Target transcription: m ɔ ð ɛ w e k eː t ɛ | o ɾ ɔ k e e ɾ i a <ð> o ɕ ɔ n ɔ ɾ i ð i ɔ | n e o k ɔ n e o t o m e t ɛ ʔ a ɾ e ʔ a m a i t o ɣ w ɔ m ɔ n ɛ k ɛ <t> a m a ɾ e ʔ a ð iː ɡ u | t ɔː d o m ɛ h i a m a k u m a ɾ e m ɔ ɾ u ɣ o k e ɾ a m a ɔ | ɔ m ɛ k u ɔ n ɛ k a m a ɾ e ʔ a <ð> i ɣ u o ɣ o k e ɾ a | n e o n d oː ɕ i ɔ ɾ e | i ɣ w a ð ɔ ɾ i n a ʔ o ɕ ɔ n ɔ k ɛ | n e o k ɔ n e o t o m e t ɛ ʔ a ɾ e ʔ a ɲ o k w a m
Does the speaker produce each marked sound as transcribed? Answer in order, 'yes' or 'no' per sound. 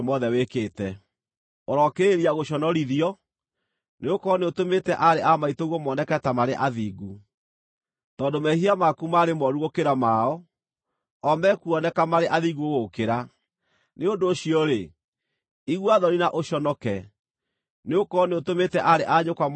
no, yes, yes

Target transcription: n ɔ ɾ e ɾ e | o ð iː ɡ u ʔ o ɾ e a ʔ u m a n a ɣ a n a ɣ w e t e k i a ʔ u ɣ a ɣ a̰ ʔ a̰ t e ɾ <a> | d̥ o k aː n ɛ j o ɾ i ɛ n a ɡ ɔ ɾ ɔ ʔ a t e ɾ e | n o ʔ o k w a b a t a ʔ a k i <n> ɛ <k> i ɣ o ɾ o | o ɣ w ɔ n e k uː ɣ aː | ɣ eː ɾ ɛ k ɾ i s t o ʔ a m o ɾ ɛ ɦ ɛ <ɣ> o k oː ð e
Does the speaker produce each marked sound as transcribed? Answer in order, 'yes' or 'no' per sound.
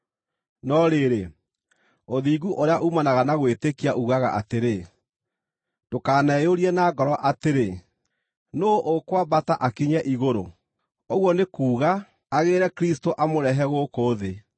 no, no, no, yes

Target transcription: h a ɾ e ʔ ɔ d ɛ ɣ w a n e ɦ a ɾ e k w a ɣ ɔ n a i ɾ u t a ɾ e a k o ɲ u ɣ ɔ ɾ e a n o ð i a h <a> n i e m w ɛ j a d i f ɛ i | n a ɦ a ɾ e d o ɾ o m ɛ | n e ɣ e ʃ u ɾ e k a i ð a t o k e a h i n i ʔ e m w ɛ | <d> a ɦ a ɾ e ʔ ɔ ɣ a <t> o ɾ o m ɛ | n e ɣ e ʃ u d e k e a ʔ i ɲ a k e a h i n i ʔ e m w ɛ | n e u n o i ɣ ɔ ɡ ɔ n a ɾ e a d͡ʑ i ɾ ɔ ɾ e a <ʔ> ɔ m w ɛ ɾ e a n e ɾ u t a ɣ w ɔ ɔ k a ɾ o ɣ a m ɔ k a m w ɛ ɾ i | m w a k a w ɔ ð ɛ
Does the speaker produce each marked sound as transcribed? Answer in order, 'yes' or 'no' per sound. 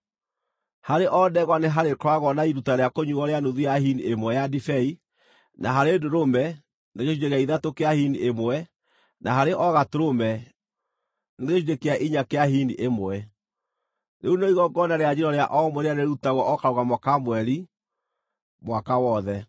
no, no, yes, yes

